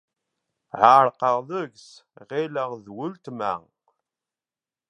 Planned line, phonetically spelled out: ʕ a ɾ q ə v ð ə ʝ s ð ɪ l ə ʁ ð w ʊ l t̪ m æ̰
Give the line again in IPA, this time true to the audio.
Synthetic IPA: ʕ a ɾ q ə ʁ ð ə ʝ s ʁ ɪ l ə ʁ ð w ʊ l t̪ m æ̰